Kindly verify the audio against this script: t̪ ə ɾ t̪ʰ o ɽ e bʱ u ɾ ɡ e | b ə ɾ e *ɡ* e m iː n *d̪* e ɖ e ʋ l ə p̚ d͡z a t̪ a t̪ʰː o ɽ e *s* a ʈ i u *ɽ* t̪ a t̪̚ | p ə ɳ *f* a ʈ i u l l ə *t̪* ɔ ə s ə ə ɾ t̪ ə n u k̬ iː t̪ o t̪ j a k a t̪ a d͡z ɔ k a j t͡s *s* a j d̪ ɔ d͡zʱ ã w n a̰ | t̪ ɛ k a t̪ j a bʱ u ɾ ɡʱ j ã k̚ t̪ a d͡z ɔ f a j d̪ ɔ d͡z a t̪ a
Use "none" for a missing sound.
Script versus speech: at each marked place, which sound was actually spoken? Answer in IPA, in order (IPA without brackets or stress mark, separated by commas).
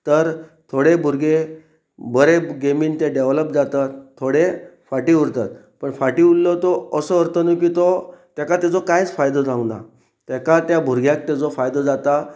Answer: ɡ, t̪, f, ɾ, f, t̪, f